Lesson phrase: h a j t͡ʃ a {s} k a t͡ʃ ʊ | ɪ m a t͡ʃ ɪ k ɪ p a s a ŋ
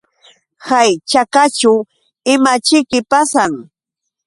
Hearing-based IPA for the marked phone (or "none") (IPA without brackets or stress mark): none